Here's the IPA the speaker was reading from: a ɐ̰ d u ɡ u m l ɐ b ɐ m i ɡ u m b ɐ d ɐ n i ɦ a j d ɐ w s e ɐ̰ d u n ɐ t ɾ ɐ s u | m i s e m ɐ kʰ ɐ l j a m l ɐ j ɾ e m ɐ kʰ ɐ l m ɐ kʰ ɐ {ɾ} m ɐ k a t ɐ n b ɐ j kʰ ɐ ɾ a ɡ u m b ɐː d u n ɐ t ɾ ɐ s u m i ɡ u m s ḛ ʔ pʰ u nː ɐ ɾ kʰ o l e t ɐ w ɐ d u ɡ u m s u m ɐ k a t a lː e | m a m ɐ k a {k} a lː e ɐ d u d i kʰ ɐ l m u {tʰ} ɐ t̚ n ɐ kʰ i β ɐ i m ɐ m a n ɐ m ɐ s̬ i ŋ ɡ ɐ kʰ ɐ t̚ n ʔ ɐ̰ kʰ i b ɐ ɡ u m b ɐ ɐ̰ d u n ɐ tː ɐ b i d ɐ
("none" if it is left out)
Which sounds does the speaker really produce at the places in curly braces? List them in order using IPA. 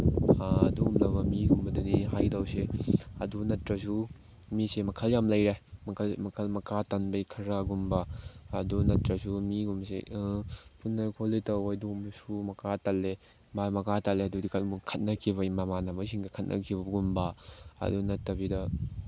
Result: l, t, kʰ

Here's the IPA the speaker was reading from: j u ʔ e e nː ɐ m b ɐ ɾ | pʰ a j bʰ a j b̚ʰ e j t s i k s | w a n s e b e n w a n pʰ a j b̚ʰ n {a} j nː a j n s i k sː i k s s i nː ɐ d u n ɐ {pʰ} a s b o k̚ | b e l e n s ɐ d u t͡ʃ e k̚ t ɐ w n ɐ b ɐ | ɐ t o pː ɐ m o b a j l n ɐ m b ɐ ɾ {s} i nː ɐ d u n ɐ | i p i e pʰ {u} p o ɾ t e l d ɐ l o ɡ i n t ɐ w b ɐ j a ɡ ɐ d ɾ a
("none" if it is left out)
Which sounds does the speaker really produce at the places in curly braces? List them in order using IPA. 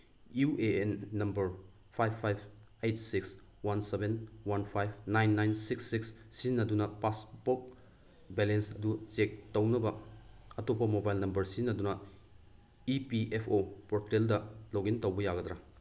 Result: a, p, s, o

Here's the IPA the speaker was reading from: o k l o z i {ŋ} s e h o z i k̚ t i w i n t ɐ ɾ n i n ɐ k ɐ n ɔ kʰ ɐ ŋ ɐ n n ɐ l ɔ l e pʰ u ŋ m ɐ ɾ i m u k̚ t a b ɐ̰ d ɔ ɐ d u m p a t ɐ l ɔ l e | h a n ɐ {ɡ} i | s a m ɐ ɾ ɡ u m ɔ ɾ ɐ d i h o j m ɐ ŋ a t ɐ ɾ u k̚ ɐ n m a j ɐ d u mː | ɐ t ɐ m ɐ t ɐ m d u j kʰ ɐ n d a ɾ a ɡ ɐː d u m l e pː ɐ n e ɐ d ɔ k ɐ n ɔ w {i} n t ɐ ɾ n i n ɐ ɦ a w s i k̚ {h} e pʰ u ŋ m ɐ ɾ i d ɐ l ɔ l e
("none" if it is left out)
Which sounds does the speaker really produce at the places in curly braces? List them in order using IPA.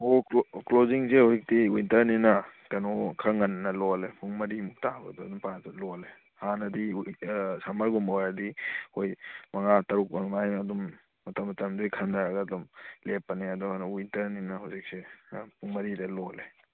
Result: ŋ, d, i, s

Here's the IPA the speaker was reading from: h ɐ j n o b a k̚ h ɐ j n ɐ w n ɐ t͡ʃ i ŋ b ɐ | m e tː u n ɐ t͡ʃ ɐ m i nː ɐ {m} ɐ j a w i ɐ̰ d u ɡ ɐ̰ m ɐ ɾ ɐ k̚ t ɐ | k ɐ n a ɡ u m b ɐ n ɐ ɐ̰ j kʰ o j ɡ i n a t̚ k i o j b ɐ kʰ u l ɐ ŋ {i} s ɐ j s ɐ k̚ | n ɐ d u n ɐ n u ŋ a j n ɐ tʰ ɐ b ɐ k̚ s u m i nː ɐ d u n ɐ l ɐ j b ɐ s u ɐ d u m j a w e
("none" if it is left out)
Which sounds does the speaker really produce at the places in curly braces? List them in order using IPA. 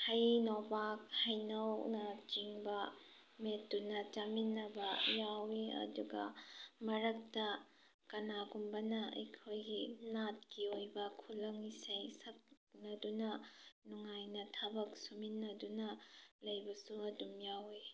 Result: b, i

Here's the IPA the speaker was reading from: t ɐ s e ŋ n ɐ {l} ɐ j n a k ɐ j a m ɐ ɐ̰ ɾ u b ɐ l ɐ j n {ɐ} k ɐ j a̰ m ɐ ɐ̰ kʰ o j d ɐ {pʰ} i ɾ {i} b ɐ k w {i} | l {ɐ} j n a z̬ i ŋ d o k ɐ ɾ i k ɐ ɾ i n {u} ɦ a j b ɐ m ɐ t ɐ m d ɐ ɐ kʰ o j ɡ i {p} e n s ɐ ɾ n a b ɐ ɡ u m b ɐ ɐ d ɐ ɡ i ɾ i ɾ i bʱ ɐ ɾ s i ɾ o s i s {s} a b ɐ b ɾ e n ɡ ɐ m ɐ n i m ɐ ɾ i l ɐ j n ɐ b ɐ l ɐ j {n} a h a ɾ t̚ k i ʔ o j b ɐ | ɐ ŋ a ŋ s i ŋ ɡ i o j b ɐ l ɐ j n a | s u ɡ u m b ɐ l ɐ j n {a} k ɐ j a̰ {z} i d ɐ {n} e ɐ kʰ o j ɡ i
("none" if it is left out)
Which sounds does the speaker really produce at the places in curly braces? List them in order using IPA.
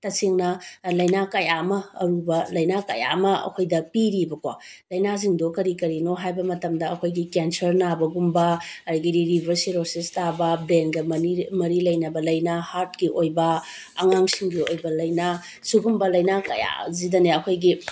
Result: l, a, p, i, a, ɐ, o, k, t, n, a, z, n

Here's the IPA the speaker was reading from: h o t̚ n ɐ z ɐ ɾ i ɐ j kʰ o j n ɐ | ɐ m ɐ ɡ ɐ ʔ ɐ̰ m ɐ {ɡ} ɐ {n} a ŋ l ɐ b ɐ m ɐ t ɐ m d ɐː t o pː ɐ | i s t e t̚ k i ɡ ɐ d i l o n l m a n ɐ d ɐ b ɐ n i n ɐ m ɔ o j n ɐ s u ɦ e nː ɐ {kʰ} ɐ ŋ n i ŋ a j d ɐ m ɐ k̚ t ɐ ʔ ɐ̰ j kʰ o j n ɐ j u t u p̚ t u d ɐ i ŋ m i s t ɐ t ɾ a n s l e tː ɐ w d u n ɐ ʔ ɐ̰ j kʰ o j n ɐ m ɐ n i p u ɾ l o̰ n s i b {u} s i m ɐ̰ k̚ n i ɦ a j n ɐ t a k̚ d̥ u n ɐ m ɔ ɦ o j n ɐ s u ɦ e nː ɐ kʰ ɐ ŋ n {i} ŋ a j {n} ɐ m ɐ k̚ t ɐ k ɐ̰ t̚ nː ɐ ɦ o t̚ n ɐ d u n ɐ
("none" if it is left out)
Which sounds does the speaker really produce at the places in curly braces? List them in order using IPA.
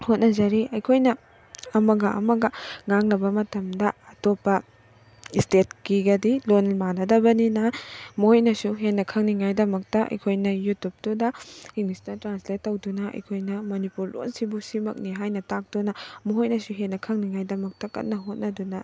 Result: ɡ, ŋ, kʰ, u, i, d

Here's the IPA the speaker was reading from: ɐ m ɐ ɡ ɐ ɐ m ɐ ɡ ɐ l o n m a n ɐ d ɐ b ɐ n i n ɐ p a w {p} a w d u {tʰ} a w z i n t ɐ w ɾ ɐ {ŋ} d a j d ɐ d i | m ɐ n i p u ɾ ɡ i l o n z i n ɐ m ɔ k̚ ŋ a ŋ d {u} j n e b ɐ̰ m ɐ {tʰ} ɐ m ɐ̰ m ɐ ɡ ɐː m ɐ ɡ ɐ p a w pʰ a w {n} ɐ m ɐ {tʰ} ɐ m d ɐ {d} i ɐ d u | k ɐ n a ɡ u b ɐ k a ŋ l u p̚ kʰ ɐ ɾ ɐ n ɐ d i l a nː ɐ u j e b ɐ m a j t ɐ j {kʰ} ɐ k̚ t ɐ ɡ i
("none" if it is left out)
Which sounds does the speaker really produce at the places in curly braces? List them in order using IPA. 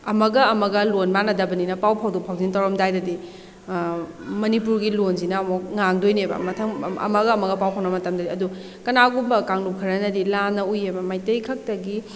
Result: pʰ, pʰ, m, o, tʰ, n, t, d, kʰ

